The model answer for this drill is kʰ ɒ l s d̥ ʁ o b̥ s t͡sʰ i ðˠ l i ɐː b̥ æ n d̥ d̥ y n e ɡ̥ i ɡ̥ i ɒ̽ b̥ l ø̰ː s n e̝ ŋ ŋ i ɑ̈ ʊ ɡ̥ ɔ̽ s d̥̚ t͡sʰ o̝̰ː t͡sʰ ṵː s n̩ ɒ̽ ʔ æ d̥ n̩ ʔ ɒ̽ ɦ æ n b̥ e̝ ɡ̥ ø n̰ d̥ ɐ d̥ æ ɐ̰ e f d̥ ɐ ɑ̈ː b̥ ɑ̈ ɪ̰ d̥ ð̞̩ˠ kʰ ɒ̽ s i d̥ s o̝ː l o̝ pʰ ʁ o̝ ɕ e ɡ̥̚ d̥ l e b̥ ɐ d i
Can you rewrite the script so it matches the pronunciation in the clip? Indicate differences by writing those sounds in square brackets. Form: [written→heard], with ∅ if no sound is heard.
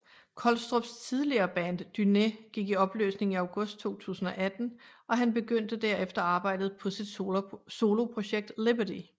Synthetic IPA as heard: kʰ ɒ l s d̥ ʁ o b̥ s t͡sʰ i ðˠ l i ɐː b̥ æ n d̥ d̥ y n e ɡ̥ i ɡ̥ i ɒ̽ b̥ l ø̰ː s n e̝ ŋ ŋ i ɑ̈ ʊ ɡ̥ ɔ̽ s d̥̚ t͡sʰ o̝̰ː t͡sʰ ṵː s n̩ ɒ̽ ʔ æ d̥ n̩ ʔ ɒ̽ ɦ æ n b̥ e̝ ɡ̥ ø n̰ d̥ [ɐ→ə] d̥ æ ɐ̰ e f d̥ ɐ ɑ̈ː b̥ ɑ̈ ɪ̰ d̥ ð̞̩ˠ [kʰ→pʰ] ɒ̽ s i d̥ s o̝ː l o̝ pʰ ʁ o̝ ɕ e ɡ̥̚ d̥ l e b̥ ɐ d i

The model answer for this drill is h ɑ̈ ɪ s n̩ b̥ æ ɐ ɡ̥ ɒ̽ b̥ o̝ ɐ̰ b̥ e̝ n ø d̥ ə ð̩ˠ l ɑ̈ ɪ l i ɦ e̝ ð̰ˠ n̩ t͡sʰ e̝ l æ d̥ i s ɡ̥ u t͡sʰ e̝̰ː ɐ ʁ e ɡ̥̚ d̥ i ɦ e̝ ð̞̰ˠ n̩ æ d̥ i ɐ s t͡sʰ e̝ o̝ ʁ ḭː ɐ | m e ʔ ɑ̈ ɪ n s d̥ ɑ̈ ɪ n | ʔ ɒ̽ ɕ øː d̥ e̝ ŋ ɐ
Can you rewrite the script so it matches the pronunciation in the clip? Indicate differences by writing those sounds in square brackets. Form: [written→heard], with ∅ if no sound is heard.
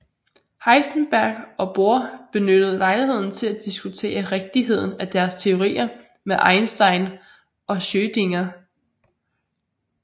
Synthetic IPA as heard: h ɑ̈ ɪ s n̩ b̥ æ ɐ ɡ̥ ɒ̽ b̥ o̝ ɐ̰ b̥ e̝ n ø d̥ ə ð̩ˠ l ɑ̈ ɪ l i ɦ e̝ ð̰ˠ n̩ t͡sʰ e̝ l æ d̥ i s ɡ̥ u t͡sʰ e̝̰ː ɐ ʁ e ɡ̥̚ d̥ i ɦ e̝ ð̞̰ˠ n̩ æ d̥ [i→æ] ɐ s t͡sʰ e̝ o̝ ʁ ḭː ɐ | m e ʔ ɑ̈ ɪ n s d̥ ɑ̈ ɪ n | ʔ ɒ̽ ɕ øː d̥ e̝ ŋ ɐ

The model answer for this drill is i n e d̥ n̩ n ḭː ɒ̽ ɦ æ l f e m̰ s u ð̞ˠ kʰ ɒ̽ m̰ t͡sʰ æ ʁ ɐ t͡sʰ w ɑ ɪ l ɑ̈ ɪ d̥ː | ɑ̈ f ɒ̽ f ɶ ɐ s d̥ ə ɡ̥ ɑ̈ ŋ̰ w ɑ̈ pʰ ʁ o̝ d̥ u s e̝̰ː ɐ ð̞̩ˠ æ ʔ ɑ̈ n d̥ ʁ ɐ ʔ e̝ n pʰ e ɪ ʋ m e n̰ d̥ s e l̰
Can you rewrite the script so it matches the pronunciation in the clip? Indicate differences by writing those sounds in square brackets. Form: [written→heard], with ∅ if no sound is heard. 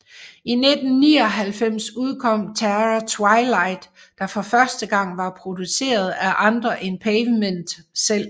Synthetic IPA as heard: i n e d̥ n̩ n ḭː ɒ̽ ɦ æ l f e m̰ s u ð̞ˠ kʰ ɒ̽ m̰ t͡sʰ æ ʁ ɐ t͡sʰ w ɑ ɪ l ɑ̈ ɪ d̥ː | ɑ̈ f ɒ̽ f ɶ ɐ s d̥ ə ɡ̥ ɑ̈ ŋ̰ [w→ʋ] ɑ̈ pʰ ʁ o̝ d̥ u s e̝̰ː ɐ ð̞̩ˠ æ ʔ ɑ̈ n d̥ ʁ ɐ ʔ e̝ n pʰ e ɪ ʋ m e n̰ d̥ s e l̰

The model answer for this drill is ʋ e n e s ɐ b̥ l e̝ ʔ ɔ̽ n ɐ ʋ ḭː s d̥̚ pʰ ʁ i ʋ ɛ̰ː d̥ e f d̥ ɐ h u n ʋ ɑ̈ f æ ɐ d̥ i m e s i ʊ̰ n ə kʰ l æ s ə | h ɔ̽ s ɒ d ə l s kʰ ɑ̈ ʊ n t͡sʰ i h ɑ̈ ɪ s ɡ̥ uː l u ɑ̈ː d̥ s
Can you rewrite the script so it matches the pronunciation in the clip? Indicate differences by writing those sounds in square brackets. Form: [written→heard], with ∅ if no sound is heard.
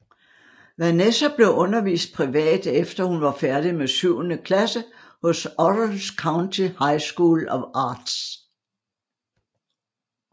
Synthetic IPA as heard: ʋ [e→æ] n e s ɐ b̥ l e̝ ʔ ɔ̽ n ɐ ʋ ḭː s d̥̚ pʰ ʁ i ʋ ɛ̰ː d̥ e f d̥ ɐ h u n ʋ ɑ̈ f æ ɐ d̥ i m e s [i→y] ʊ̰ n ə kʰ l æ s ə | h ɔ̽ s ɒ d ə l s kʰ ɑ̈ ʊ n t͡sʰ i h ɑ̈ ɪ s ɡ̥ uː l [u→ɒ] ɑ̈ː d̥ s

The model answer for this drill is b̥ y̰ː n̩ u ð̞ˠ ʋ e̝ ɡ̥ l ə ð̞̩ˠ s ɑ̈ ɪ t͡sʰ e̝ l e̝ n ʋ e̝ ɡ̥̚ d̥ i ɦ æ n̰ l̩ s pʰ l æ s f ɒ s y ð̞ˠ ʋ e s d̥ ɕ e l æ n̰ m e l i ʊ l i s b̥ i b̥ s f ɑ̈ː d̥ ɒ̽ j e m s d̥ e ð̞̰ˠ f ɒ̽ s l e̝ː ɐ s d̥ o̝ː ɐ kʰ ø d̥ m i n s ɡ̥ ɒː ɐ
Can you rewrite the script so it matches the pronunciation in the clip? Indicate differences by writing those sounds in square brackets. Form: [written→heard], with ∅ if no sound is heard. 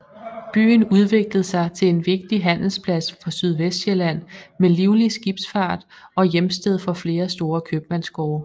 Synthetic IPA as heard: b̥ y̰ː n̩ u ð̞ˠ ʋ e̝ ɡ̥ l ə ð̞̩ˠ s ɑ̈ ɪ t͡sʰ e̝ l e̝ n ʋ e̝ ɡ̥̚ d̥ i ɦ æ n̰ l̩ s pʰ l æ s f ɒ s y ð̞ˠ ʋ e s d̥ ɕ e l æ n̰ m e l i ʊ l i s [b̥→ɡ̥] i b̥ s f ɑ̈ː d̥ ɒ̽ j e m s d̥ e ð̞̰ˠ f ɒ̽ [s→f] l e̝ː ɐ s d̥ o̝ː ɐ kʰ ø [d̥→b̥] m [i→æ] n s ɡ̥ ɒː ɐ

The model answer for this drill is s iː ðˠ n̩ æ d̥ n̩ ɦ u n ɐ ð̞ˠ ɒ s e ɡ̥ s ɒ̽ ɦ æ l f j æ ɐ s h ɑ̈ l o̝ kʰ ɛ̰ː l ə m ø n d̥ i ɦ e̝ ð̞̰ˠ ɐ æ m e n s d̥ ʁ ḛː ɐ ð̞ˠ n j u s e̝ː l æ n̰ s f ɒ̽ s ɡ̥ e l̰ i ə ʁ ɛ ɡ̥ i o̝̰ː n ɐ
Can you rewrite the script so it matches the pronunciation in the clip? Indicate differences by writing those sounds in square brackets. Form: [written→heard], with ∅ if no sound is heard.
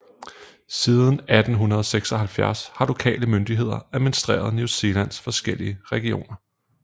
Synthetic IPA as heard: s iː ðˠ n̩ æ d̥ n̩ ɦ u n ɐ ð̞ˠ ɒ s e ɡ̥ s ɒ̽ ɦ æ l f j æ ɐ s h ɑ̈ l o̝ kʰ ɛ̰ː l ə m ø n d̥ i ɦ e̝ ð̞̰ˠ ɐ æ m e n s d̥ ʁ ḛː ɐ ð̞ˠ n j u s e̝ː l æ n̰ s f ɒ̽ s ɡ̥ e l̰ i ə ʁ ɛ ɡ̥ i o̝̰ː n ɐ

